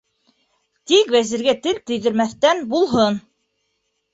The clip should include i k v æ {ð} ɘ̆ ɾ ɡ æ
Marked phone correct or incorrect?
incorrect